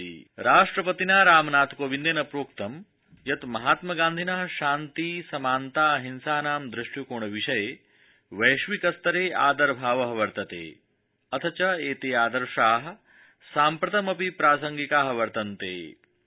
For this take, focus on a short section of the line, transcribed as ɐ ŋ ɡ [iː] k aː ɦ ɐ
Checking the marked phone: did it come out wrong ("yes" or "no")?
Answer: yes